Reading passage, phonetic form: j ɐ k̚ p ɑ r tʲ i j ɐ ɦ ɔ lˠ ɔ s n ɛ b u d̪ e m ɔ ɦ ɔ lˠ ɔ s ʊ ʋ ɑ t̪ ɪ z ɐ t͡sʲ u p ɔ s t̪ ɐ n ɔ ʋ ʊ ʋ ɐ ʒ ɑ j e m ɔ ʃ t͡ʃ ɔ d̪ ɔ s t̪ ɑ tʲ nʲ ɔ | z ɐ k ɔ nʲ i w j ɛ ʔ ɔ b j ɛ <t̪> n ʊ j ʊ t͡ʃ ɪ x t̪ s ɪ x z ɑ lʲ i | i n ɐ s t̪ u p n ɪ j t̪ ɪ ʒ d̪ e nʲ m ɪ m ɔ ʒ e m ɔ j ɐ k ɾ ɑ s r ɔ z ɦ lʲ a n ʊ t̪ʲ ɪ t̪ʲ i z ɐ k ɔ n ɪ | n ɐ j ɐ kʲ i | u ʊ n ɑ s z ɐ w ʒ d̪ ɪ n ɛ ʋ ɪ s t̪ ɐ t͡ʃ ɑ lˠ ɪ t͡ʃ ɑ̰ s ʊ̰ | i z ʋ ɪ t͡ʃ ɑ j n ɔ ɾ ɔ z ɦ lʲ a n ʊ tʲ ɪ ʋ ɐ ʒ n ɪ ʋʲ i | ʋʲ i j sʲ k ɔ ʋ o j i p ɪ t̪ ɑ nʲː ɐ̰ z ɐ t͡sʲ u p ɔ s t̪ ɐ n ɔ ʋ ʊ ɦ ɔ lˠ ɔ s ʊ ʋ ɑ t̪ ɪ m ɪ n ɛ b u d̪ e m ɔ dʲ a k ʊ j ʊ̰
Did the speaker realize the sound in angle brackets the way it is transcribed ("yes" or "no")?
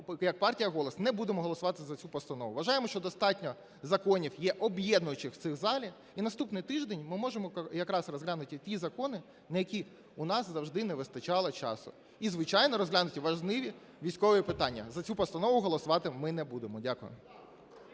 no